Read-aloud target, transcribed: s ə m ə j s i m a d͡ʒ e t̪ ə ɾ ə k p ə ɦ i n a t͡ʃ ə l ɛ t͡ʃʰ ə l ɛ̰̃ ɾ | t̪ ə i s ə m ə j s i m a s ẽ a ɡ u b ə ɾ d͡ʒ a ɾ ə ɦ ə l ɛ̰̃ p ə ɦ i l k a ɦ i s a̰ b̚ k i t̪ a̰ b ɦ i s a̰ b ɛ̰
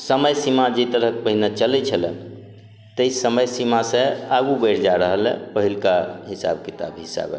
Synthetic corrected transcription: s ə m ə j s i m a d͡ʒ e t̪ ə ɾ ə k p ə ɦ i n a t͡ʃ ə l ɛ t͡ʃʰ ə l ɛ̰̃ | t̪ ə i s ə m ə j s i m a s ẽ a ɡ u b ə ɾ d͡ʒ a ɾ ə ɦ ə l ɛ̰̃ p ə ɦ i l k a ɦ i s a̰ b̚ k i t̪ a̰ b ɦ i s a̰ b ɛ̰